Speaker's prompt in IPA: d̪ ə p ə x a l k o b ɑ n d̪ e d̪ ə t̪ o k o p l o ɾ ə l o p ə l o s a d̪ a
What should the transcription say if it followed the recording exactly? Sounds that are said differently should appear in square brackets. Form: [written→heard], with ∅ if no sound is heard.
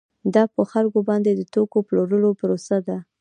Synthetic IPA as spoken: d̪ [ə→ɑ] p ə x a l k o b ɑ n d̪ e d̪ ə t̪ o k o p l o ɾ ə l o p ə [l→ɾ] o s a d̪ a